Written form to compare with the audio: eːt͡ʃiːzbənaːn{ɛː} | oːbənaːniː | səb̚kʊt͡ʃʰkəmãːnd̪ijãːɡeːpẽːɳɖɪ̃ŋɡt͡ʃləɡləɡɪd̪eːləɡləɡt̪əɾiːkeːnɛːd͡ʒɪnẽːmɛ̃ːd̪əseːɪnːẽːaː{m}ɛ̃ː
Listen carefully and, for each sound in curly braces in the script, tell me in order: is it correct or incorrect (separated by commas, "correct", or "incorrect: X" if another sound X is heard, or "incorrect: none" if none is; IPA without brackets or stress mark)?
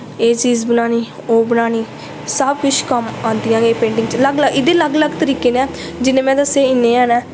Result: incorrect: iː, incorrect: n